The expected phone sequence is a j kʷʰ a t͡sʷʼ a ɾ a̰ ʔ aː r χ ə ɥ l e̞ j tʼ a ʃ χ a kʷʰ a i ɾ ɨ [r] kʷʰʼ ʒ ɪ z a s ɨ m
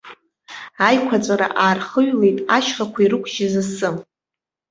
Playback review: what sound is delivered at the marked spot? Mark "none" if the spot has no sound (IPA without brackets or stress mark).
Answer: none